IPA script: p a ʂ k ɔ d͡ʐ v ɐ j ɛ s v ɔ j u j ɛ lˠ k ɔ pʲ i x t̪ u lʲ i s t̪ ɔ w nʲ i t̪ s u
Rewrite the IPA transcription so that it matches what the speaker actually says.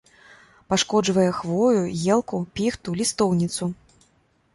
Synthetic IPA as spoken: p a ʂ k ɔ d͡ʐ v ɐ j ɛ x v ɔ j u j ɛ lˠ k u pʲ i x t̪ u lʲ i s t̪ ɔ w nʲ i t̪ s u